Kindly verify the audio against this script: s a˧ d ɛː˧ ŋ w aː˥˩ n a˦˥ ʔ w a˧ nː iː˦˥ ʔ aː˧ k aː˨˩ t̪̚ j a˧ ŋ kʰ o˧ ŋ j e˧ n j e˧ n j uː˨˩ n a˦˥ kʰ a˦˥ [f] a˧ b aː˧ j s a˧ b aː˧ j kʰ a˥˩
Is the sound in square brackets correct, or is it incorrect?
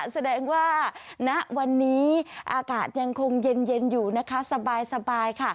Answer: incorrect